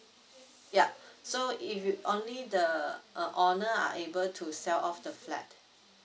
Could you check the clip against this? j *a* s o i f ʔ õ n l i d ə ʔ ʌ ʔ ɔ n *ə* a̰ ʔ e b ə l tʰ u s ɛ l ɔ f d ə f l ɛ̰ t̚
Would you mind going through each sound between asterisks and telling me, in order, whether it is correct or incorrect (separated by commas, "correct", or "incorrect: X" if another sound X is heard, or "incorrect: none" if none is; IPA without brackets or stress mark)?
correct, correct